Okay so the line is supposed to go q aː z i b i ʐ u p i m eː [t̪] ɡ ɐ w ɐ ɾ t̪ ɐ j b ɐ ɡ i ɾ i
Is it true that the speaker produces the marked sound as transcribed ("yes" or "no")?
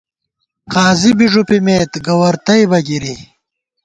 yes